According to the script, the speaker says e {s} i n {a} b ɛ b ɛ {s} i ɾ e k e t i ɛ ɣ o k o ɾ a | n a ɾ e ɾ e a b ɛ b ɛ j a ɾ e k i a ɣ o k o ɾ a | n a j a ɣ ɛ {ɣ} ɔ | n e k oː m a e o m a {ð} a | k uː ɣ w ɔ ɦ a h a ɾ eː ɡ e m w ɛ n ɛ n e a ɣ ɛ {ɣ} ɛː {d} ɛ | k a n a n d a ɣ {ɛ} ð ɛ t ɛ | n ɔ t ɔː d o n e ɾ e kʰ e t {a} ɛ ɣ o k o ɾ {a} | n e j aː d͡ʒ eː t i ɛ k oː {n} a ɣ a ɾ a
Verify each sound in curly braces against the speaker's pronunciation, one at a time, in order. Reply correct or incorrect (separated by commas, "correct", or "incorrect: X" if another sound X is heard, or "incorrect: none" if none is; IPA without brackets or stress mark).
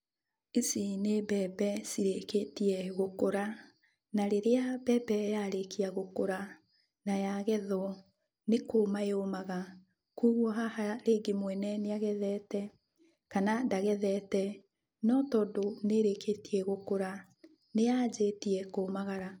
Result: correct, incorrect: e, correct, incorrect: ð, incorrect: ɣ, incorrect: ð, incorrect: t, correct, incorrect: i, correct, incorrect: m